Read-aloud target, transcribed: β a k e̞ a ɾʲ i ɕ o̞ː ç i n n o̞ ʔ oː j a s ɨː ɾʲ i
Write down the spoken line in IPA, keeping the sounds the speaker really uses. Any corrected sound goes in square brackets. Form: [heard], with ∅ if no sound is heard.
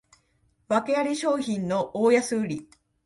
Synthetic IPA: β a k e̞ a ɾʲ i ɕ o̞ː ç [ĩ] n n o̞ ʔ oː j a s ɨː ɾʲ i